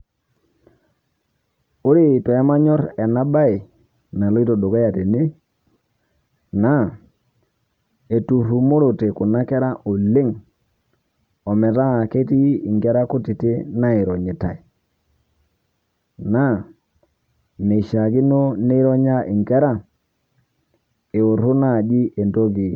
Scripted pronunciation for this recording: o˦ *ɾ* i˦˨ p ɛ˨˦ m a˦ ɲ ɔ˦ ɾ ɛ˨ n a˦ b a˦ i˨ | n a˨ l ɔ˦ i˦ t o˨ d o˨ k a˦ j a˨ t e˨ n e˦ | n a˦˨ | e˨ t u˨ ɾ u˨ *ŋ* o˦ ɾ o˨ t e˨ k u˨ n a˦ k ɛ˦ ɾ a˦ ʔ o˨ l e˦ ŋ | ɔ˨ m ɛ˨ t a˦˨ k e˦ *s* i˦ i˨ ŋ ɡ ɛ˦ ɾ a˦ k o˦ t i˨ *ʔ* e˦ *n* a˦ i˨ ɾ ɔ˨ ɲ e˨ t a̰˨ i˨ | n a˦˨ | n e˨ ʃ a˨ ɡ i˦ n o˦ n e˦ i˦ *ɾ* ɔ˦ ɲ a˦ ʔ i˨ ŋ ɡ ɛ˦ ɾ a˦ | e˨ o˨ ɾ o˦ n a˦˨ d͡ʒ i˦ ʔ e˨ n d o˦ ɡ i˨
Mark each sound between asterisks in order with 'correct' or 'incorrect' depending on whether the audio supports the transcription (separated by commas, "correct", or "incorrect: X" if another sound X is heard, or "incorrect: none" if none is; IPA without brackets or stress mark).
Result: correct, incorrect: m, incorrect: t, incorrect: t, correct, correct